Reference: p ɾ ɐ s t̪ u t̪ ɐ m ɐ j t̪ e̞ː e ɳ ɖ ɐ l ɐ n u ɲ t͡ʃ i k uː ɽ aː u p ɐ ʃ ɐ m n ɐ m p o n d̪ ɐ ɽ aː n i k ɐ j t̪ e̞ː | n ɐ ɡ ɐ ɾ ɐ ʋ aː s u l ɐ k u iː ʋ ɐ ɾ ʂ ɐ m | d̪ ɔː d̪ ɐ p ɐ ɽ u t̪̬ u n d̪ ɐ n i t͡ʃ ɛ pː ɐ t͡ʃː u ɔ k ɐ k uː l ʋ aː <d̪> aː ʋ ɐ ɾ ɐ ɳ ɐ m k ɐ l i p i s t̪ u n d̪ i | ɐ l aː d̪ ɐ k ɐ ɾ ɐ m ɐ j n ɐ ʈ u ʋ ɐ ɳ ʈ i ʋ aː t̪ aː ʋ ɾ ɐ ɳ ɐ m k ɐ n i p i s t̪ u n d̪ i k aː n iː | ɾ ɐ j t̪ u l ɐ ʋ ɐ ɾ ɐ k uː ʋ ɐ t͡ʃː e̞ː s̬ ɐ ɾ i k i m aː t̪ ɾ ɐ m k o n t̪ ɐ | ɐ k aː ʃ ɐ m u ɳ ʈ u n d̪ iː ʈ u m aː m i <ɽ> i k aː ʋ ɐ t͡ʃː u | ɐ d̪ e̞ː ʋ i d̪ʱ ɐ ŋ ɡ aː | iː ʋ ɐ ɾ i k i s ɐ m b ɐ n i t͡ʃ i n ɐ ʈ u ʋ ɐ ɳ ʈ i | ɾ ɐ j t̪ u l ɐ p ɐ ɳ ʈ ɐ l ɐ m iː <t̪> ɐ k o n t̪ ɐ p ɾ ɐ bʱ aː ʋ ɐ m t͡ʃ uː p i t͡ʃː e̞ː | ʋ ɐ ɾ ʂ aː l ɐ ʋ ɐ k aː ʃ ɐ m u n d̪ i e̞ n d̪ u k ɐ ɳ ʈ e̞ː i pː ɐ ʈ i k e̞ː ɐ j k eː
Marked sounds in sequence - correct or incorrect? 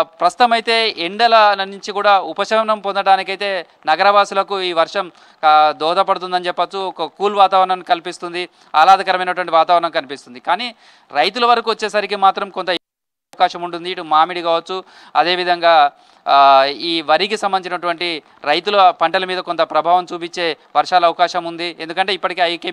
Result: incorrect: t̪, correct, incorrect: d̪

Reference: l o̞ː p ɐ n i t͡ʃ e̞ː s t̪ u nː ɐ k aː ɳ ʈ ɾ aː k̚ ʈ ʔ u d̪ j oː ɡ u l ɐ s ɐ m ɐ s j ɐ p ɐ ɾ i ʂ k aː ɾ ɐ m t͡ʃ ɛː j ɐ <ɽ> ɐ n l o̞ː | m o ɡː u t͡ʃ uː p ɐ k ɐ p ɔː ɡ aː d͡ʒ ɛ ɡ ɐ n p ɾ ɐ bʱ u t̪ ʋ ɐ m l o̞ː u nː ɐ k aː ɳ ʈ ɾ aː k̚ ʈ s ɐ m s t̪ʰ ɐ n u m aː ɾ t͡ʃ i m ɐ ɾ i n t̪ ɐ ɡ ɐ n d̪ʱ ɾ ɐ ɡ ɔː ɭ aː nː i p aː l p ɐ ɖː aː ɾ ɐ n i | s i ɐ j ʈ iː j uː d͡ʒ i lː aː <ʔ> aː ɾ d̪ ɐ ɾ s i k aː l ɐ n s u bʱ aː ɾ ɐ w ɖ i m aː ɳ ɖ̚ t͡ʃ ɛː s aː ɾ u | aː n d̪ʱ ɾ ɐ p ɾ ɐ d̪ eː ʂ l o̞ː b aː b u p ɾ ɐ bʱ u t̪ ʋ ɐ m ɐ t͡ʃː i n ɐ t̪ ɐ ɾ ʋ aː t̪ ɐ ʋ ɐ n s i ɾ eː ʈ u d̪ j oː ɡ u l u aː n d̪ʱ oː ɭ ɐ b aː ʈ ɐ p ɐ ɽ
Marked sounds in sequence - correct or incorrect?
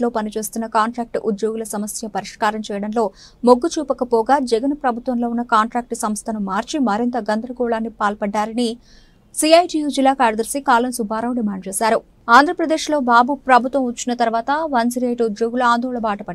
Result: correct, incorrect: k

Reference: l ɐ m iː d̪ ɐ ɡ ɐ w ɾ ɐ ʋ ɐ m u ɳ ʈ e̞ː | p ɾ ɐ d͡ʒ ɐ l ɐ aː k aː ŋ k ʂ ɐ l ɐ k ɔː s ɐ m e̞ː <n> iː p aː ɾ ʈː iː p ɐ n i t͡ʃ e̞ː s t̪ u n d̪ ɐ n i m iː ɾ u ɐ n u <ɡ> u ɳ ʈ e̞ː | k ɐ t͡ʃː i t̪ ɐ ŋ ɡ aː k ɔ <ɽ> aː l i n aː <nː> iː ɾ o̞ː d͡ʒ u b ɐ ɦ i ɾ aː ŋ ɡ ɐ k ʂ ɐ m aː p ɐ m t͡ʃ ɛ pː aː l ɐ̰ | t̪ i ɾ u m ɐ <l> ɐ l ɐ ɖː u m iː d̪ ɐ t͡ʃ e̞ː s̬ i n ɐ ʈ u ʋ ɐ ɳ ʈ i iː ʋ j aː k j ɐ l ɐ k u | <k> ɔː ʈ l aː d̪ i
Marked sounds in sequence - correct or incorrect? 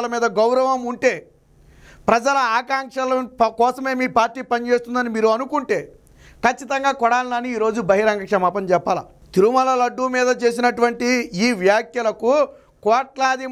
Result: incorrect: m, incorrect: k, correct, incorrect: n, correct, correct

